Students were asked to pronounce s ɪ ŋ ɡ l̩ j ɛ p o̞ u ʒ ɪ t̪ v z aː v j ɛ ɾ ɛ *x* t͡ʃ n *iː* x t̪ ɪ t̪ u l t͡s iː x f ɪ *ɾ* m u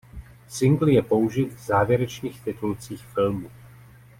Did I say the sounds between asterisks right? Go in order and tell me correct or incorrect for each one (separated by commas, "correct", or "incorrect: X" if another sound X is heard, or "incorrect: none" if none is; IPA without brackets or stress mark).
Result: incorrect: none, correct, incorrect: l